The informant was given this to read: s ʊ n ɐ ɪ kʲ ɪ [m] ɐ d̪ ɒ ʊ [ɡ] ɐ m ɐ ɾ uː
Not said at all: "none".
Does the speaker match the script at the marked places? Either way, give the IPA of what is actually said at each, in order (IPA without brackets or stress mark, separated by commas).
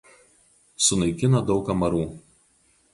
n, k